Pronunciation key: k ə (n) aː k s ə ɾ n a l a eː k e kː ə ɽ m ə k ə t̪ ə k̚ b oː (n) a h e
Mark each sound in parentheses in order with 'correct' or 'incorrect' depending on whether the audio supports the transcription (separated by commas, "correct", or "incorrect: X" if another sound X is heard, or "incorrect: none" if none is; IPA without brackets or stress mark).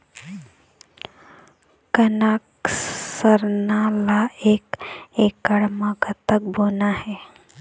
correct, correct